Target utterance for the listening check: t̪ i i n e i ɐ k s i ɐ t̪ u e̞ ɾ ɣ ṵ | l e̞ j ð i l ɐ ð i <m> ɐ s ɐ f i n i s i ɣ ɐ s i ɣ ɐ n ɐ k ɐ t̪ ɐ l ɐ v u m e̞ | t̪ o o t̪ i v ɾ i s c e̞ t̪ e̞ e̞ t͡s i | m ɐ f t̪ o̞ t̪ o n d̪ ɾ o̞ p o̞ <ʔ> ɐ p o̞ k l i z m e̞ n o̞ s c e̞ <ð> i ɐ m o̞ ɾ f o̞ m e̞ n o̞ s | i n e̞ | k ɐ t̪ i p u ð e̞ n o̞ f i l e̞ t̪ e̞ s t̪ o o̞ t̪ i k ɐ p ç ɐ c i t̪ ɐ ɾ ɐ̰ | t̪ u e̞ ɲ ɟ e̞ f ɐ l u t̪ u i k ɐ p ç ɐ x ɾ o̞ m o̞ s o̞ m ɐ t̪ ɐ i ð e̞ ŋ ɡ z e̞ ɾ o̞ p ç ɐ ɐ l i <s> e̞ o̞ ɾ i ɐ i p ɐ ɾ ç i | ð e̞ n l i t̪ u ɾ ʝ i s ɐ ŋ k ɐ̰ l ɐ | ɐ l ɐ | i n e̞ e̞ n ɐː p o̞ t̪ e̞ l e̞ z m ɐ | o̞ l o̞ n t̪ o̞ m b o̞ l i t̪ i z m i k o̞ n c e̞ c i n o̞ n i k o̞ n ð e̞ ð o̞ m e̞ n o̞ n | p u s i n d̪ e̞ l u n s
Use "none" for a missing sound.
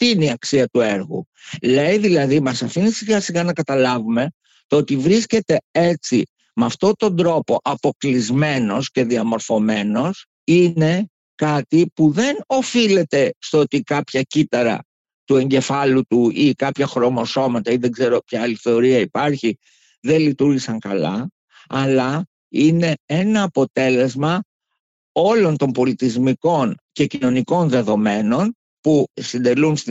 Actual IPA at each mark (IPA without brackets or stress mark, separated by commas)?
m, ʔ, ð, θ